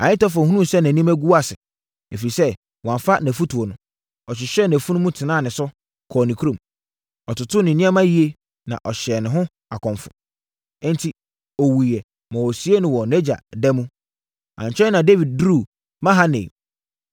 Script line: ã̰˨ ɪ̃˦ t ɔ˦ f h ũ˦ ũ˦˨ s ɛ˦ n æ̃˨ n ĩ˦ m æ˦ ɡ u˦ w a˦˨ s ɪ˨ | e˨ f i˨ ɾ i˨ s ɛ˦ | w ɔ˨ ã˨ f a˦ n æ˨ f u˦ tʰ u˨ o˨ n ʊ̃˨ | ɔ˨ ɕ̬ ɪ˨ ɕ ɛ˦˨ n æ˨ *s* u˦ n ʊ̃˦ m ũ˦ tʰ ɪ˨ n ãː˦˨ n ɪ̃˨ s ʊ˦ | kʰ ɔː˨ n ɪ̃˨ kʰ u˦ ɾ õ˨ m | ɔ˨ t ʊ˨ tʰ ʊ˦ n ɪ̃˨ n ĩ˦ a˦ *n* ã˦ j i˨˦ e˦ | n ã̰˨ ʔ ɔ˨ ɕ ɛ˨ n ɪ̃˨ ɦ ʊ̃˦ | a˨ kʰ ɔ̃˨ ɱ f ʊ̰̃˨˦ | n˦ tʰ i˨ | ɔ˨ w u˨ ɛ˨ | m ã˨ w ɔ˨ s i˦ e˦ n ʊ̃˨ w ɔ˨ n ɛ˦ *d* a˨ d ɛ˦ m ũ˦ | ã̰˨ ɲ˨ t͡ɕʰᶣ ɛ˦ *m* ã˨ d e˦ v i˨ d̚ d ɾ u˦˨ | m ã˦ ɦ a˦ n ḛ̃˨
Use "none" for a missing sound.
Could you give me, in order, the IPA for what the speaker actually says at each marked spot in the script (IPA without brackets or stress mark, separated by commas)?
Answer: f, m, d͡ʑ, n